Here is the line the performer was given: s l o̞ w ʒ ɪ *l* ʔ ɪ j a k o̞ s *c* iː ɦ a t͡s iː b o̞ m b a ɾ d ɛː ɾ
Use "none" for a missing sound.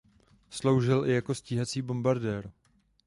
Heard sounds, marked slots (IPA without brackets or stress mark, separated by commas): l, c